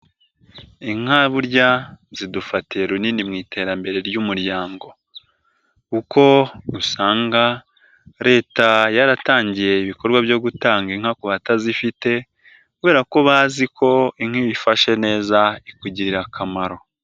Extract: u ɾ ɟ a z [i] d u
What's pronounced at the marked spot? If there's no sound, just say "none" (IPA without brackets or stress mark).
i